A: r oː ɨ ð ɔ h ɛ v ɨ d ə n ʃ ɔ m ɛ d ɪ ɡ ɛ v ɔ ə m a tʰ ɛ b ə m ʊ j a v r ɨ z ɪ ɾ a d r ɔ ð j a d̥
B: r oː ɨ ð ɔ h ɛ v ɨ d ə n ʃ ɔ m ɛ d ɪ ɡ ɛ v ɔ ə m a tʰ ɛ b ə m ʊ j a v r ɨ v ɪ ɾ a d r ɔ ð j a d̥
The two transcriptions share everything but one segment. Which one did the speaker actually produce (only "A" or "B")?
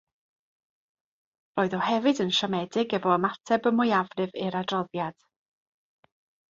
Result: B